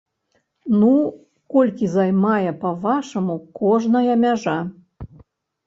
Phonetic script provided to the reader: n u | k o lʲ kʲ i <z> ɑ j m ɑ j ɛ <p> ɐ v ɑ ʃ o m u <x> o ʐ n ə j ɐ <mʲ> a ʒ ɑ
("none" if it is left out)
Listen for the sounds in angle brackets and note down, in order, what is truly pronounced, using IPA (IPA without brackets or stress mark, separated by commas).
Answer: z, p, k, mʲ